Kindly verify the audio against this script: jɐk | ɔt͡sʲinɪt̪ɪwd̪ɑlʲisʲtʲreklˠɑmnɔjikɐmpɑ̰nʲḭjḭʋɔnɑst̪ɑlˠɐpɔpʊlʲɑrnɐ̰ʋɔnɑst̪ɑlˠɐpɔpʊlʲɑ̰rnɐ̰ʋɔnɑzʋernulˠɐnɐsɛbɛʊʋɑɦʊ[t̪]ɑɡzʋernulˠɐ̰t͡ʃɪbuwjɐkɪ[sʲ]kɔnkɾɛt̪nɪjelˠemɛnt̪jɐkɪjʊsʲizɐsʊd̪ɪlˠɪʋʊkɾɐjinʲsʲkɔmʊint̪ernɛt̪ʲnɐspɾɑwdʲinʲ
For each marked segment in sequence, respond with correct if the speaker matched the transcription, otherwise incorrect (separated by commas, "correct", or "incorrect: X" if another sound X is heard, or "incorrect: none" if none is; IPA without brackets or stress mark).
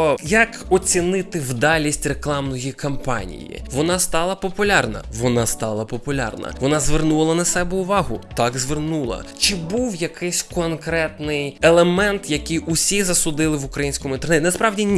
correct, correct